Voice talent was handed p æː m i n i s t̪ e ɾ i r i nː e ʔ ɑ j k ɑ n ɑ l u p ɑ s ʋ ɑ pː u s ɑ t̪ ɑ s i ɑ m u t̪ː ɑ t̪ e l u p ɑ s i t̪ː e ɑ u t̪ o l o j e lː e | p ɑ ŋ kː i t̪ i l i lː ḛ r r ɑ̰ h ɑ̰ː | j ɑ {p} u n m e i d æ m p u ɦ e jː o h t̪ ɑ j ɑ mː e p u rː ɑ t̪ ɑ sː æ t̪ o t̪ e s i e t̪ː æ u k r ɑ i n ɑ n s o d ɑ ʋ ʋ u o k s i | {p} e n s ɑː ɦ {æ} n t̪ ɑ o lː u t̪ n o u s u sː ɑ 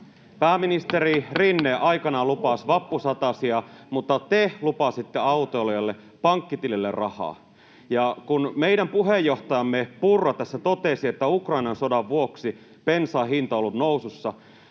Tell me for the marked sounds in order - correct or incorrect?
incorrect: k, correct, incorrect: i

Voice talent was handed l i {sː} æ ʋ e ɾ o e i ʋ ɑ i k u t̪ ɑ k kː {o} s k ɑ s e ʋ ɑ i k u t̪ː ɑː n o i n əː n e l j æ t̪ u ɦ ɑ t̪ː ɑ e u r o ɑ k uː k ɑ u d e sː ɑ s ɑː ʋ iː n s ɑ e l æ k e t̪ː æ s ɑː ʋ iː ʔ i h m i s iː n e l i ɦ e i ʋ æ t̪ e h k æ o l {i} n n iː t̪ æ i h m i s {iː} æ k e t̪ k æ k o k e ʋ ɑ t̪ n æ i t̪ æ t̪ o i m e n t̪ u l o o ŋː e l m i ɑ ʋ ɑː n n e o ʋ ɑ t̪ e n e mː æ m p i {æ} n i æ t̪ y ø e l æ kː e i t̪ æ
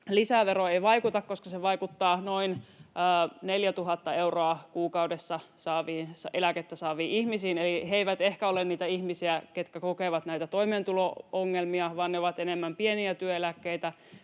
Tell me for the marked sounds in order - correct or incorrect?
incorrect: s, correct, incorrect: e, incorrect: i, incorrect: e

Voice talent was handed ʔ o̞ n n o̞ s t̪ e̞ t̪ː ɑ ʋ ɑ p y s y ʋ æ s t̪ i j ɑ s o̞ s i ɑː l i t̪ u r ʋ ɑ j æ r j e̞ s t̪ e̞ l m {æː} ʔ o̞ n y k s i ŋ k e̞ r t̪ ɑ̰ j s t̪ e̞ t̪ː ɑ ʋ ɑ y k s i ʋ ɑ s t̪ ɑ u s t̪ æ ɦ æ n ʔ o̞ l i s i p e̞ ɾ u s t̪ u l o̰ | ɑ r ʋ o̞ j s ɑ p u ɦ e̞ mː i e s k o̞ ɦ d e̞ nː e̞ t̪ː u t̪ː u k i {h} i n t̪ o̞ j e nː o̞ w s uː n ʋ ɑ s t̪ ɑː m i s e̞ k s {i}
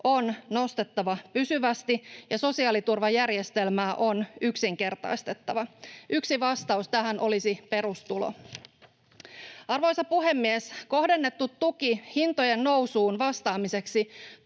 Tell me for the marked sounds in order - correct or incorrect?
correct, correct, correct

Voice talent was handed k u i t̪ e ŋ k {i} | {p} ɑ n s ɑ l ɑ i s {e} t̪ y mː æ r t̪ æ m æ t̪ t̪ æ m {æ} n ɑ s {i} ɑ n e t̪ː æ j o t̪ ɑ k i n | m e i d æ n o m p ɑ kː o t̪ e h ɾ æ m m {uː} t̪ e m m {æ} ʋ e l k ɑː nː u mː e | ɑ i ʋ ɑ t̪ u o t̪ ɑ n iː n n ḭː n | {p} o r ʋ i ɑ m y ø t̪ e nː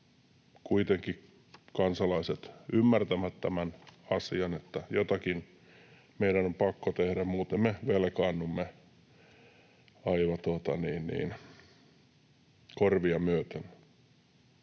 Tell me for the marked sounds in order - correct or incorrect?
correct, incorrect: k, correct, correct, correct, correct, incorrect: e, incorrect: k

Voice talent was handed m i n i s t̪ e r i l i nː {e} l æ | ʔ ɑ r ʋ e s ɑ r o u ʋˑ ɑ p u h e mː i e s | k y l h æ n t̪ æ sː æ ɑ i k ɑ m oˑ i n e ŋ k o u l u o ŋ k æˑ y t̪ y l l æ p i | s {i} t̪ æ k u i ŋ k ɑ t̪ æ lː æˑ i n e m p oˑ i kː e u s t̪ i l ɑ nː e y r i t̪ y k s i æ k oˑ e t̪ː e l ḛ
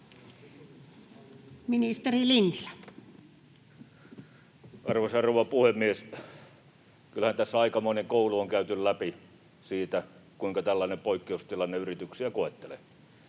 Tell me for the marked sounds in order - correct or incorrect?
incorrect: i, incorrect: iː

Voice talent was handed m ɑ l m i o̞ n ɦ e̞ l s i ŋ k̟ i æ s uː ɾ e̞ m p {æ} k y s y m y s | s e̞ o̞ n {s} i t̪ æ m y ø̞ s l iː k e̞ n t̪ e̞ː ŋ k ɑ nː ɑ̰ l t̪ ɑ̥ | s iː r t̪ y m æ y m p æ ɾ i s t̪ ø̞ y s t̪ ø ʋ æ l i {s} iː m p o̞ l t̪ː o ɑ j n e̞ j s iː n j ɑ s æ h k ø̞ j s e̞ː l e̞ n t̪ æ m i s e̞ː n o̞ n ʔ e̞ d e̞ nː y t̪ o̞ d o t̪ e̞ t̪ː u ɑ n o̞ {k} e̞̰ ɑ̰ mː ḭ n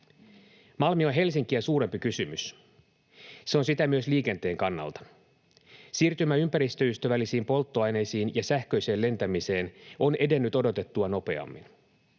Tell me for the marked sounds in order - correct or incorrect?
incorrect: i, correct, correct, incorrect: p

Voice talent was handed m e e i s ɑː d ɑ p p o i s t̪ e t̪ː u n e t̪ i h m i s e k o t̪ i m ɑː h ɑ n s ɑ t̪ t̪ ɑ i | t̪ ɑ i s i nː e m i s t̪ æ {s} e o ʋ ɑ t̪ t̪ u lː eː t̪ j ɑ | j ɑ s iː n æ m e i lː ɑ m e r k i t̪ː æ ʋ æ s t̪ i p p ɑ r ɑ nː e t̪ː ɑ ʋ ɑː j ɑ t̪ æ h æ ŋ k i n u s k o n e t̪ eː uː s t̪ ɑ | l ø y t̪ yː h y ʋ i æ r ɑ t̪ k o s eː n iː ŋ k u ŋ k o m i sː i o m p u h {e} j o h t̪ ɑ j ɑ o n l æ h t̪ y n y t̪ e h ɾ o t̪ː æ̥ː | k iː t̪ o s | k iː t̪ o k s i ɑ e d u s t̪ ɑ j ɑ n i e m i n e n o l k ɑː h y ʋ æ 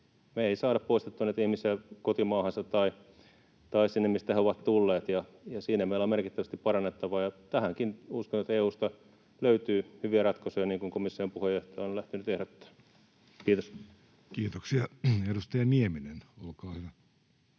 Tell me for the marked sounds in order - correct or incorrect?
incorrect: h, correct

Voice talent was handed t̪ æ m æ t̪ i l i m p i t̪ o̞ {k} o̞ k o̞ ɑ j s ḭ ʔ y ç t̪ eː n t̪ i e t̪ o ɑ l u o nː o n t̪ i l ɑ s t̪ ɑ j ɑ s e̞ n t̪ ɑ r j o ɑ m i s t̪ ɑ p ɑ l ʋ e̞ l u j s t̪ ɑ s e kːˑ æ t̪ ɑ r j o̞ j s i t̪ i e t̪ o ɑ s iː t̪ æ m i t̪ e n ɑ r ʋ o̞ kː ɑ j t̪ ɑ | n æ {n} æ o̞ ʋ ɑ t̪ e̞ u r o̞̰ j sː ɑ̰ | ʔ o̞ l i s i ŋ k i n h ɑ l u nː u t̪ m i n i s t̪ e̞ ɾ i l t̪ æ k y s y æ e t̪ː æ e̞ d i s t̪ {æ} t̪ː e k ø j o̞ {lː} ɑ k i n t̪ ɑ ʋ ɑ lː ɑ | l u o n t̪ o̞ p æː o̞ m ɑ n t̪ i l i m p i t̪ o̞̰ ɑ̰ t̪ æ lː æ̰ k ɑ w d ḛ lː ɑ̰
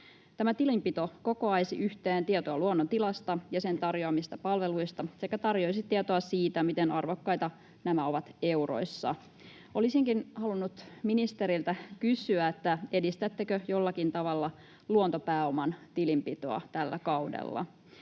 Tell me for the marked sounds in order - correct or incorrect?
correct, incorrect: m, correct, correct

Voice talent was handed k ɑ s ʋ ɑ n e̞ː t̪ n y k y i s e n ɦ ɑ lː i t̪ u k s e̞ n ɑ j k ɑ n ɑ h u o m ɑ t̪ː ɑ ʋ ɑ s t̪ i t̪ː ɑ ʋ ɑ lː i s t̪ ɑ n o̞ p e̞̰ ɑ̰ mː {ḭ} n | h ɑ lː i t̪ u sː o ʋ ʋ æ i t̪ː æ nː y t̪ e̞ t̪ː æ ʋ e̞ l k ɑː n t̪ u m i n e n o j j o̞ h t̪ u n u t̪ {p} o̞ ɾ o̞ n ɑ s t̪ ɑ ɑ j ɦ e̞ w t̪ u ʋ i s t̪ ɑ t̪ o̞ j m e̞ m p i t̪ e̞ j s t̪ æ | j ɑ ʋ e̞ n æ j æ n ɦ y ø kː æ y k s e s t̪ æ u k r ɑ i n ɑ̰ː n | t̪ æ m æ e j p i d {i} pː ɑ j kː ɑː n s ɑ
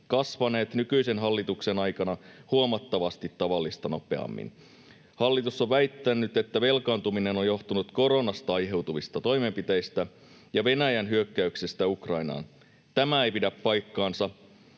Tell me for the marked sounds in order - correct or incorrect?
correct, incorrect: k, incorrect: æ

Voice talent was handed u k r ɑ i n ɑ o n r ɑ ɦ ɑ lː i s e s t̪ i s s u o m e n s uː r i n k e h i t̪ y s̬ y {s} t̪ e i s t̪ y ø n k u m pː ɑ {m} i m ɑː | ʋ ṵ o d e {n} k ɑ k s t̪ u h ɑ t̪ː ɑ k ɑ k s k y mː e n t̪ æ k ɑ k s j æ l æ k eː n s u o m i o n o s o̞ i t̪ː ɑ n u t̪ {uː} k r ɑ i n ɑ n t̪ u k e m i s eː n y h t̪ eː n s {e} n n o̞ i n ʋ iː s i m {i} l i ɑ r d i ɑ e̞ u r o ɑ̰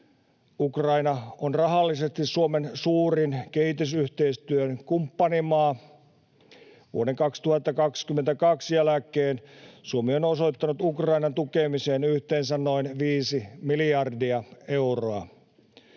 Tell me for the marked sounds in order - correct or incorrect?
incorrect: h, incorrect: n, incorrect: ŋ, incorrect: u, incorrect: æ, correct

